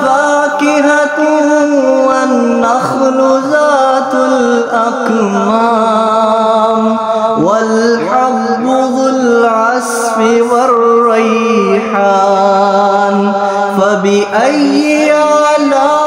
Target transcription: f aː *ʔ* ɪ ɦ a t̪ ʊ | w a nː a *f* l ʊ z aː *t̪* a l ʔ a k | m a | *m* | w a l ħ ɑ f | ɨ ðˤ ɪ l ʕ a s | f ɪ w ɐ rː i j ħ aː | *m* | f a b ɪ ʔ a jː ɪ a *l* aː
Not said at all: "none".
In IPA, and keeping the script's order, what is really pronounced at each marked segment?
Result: k, x, t̪, m, n, l

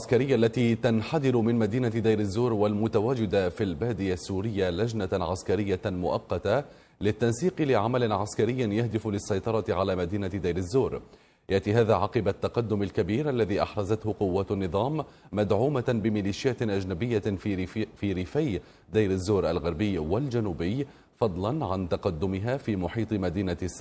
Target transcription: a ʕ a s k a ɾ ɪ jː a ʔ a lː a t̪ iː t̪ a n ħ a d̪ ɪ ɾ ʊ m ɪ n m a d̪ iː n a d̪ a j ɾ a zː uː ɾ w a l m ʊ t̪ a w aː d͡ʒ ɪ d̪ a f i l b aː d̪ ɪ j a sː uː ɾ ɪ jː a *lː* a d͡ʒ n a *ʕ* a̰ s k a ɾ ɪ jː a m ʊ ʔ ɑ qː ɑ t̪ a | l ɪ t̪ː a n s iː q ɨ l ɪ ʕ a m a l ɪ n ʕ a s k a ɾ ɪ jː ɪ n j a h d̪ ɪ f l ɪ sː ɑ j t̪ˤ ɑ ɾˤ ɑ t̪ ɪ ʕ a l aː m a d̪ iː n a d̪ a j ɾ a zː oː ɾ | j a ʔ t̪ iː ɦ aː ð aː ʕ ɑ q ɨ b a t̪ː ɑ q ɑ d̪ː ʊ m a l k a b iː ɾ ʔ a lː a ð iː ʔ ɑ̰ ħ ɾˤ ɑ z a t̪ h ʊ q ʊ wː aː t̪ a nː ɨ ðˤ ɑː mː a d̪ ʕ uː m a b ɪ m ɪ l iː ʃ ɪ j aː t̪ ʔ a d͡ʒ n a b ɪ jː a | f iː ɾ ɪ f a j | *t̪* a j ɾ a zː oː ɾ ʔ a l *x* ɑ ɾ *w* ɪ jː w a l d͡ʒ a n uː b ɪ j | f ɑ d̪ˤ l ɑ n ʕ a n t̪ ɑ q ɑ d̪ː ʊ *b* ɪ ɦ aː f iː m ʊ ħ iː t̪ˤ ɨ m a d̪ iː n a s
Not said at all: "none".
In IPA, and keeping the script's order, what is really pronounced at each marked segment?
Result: l, ʕ, d̪, ɣ, b, m

